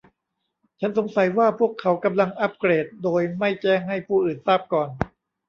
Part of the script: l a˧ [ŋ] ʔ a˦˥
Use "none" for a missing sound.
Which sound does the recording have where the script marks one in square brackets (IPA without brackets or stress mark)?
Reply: ŋ